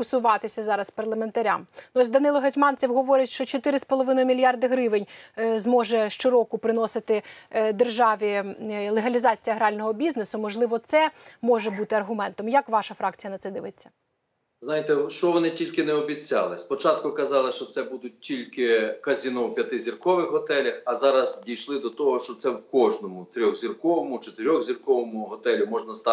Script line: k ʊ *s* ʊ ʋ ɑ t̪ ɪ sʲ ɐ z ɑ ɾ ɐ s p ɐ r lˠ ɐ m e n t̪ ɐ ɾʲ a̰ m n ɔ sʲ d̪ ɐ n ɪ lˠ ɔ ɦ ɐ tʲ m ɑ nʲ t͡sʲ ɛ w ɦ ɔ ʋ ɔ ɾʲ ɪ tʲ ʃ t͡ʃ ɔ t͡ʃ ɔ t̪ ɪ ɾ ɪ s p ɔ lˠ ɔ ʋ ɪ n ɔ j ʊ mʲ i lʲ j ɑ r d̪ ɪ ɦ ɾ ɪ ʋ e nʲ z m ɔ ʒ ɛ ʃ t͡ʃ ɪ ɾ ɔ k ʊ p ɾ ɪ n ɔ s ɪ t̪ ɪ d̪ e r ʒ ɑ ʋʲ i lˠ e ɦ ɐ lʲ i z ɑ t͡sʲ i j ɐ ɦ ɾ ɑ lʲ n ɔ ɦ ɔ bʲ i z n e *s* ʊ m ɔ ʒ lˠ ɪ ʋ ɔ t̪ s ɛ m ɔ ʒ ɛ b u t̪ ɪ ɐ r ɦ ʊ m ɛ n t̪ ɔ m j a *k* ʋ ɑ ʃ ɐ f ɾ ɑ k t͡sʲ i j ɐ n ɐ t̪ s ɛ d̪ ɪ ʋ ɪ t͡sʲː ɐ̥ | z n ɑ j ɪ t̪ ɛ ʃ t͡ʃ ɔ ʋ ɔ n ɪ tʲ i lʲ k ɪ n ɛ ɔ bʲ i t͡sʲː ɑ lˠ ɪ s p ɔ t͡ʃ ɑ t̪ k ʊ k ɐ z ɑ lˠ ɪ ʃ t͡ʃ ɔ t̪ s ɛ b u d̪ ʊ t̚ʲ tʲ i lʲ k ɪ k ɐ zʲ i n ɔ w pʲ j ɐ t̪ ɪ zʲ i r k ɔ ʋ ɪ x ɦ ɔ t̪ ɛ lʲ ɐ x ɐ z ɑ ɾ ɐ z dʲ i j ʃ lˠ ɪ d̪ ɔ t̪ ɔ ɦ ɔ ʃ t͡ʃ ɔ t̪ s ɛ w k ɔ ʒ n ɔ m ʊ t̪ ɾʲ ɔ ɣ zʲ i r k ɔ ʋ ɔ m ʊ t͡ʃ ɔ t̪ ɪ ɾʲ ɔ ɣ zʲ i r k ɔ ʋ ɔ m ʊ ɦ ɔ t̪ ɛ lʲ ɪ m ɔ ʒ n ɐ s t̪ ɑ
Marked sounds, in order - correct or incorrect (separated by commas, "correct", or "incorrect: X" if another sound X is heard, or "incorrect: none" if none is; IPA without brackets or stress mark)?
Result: correct, correct, correct